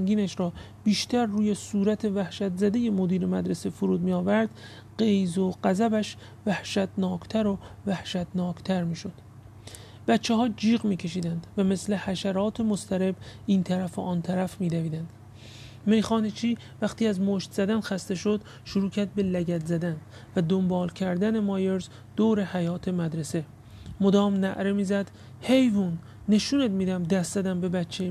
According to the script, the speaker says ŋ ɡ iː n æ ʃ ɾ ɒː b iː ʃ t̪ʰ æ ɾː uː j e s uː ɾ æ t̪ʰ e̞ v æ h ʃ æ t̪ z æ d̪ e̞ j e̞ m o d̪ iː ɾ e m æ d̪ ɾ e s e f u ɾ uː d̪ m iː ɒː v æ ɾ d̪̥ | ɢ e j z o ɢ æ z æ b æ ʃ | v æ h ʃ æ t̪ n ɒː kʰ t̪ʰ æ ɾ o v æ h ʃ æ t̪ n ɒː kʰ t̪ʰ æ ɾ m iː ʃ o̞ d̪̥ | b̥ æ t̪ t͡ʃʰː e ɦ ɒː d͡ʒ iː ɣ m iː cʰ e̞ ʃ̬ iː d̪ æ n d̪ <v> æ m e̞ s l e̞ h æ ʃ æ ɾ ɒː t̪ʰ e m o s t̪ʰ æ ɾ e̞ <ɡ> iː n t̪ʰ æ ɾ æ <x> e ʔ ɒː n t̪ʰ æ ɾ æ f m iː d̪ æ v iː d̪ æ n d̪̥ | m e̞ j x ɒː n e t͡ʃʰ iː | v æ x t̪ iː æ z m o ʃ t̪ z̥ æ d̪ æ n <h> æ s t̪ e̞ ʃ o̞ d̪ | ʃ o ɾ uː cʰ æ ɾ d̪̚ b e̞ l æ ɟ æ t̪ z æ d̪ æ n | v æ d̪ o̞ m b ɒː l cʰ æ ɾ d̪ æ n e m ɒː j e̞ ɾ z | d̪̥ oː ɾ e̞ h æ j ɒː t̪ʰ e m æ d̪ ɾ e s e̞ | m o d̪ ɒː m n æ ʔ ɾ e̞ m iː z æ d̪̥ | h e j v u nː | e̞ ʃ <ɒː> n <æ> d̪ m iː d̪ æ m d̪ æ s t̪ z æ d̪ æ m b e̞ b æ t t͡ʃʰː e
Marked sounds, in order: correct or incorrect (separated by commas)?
correct, incorrect, incorrect, incorrect, incorrect, incorrect